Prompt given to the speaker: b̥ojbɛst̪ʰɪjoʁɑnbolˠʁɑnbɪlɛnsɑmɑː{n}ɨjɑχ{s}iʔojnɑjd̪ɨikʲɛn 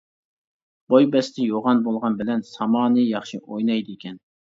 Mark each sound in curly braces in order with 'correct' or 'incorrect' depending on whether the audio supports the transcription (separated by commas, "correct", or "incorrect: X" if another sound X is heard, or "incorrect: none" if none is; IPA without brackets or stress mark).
correct, incorrect: ʃ